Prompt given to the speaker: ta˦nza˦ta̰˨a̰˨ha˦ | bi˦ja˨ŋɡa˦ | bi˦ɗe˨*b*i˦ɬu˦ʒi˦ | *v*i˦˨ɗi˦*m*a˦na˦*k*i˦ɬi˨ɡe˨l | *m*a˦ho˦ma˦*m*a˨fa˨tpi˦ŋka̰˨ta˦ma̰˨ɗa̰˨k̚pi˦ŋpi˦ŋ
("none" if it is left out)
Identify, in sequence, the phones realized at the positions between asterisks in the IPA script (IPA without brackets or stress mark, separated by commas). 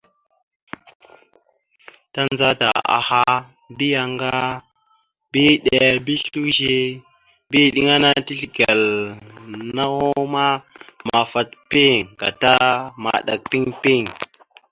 b, b, ŋ, t, n, m